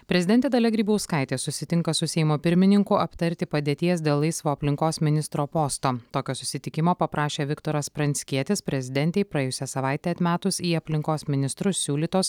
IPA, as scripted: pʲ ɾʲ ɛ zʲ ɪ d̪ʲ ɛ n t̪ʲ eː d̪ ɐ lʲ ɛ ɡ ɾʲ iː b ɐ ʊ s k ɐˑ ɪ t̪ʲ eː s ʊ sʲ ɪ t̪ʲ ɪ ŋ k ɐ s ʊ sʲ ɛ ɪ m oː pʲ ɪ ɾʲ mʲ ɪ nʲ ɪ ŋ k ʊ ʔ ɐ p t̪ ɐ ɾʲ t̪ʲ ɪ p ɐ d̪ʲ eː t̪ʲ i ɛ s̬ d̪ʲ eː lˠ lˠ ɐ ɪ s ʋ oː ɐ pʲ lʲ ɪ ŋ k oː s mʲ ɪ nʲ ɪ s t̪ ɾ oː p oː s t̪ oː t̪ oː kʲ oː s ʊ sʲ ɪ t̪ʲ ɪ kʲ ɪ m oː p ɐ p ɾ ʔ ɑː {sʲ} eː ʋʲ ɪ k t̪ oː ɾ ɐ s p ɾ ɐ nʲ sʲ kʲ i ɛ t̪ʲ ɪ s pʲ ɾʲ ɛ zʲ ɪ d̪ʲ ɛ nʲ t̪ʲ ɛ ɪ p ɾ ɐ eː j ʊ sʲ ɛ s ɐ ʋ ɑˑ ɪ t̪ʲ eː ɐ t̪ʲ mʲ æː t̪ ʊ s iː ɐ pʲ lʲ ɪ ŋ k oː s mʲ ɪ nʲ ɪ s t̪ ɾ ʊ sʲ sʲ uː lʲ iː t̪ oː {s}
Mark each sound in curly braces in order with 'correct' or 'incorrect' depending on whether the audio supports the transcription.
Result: incorrect, correct

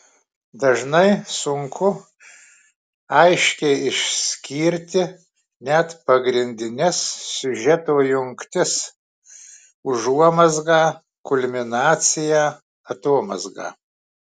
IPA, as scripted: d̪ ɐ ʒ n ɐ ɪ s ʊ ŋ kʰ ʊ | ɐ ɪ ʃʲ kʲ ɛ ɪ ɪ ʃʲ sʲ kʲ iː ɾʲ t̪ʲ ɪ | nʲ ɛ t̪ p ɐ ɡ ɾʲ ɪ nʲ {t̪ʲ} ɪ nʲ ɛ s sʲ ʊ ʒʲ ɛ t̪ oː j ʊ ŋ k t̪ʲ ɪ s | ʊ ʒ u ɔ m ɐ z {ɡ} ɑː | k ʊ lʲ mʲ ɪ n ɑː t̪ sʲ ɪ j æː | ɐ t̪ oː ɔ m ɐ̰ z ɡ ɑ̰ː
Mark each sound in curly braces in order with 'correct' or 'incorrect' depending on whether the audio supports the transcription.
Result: incorrect, correct

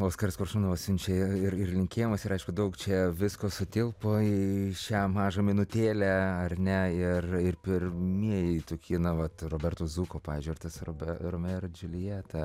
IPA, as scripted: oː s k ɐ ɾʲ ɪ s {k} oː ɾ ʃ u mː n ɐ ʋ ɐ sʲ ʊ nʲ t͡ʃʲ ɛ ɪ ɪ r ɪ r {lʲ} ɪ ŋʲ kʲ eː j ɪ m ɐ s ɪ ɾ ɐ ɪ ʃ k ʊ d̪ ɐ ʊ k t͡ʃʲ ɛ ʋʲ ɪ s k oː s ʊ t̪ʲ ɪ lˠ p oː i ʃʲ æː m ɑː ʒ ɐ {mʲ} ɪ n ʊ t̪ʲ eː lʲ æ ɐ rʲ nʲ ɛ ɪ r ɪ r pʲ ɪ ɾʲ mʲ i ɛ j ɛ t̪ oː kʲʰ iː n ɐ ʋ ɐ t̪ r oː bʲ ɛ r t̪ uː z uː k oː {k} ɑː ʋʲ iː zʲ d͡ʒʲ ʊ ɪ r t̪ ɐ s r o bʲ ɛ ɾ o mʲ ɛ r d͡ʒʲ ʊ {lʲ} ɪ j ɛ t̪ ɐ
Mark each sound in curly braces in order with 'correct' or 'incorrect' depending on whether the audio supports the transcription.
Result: correct, correct, correct, incorrect, correct

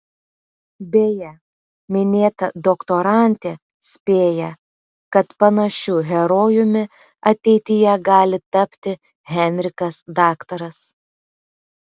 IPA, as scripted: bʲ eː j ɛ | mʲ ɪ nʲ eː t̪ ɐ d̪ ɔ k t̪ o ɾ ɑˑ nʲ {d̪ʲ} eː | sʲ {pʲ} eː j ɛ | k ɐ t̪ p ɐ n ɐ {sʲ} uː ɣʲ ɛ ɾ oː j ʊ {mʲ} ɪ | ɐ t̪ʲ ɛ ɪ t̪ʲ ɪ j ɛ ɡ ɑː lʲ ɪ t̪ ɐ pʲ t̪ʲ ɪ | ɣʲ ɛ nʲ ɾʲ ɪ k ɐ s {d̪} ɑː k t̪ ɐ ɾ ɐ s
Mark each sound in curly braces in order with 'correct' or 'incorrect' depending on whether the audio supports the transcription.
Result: incorrect, correct, incorrect, correct, correct

